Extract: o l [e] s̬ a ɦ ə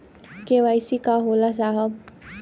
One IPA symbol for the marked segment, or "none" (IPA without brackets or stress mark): a